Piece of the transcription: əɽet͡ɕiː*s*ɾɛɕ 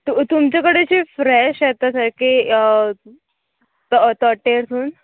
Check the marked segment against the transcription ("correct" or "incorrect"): incorrect